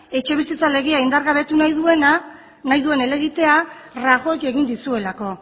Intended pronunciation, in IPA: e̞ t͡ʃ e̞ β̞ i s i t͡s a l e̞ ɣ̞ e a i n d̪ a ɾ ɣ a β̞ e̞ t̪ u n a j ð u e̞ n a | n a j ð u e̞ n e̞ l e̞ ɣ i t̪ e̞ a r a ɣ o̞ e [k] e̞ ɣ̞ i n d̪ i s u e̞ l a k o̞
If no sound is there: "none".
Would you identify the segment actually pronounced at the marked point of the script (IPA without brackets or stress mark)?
k